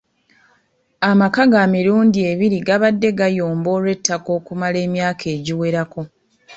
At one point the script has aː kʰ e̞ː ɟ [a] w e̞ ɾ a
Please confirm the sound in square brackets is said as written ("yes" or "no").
no